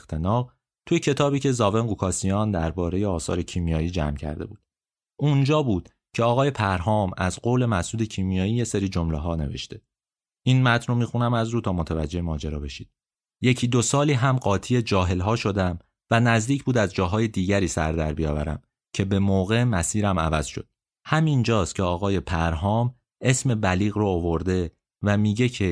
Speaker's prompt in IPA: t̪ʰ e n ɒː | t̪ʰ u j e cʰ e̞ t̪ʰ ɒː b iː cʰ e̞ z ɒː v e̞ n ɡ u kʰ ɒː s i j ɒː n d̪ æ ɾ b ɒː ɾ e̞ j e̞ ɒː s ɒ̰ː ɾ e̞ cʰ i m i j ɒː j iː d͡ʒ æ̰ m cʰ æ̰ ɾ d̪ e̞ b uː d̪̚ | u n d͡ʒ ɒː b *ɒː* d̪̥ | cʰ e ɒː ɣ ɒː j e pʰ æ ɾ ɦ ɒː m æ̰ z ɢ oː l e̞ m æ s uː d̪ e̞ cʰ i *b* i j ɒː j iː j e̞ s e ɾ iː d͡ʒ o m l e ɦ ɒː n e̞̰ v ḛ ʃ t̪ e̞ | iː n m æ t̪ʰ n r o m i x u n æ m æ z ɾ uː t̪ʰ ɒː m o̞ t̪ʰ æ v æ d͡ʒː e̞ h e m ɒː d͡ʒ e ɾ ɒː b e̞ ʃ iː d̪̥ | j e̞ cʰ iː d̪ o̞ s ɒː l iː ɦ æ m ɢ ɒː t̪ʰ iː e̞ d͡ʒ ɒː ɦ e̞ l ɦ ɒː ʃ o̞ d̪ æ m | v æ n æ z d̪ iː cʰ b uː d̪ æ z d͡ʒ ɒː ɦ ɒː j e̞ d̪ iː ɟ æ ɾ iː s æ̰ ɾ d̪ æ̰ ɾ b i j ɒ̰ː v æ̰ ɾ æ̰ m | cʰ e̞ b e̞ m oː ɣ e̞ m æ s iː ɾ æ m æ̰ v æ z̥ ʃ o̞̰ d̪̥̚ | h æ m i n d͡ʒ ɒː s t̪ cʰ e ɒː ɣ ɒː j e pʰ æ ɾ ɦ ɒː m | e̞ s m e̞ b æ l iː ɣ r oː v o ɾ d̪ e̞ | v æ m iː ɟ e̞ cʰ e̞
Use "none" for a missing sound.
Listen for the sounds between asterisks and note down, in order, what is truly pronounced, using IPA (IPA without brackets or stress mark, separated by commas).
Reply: uː, m